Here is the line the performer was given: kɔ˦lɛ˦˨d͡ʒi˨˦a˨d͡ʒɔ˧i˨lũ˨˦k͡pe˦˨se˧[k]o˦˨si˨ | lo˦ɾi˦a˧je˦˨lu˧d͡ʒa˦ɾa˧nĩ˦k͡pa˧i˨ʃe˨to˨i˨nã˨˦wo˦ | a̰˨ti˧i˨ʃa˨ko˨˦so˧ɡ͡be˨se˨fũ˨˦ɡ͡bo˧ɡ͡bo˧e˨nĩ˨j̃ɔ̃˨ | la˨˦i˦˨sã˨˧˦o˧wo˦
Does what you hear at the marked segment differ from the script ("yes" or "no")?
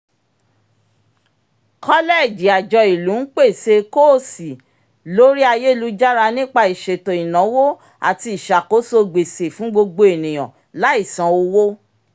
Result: no